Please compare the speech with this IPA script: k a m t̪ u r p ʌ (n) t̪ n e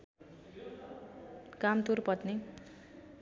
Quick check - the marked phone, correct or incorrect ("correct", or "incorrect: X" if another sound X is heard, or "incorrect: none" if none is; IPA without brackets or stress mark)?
incorrect: none